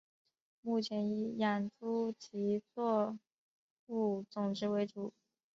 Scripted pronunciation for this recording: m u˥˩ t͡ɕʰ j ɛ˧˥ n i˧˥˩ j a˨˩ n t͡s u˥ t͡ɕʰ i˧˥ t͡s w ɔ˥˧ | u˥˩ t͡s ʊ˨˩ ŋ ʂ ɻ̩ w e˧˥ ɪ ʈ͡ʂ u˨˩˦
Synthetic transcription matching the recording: m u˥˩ t͡ɕʰ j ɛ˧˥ n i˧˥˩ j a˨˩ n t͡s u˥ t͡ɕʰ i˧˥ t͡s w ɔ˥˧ | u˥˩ t͡s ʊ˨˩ ŋ ʈ͡ʂ ɻ̩ w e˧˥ ɪ ʈ͡ʂ u˨˩˦